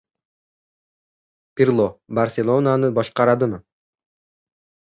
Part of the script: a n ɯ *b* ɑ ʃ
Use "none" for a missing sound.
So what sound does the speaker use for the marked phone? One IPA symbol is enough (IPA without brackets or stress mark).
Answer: b